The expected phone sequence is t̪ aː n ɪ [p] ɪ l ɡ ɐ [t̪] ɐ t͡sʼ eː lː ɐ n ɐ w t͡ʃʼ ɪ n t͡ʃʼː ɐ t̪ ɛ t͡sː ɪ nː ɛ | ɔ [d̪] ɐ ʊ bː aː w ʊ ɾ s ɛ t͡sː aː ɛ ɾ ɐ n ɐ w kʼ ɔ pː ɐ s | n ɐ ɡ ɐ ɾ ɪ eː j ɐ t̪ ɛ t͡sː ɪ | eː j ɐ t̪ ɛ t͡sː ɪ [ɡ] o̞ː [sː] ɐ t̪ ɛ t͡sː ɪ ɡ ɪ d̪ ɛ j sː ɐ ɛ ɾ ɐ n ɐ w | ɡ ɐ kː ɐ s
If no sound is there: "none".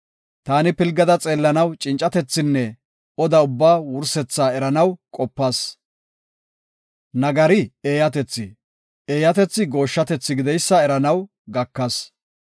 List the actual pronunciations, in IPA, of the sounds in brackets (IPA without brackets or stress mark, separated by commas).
p, d̪, d̪, ɡ, ʃː